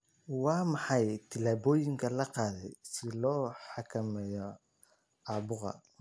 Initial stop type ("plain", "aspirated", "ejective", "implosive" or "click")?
aspirated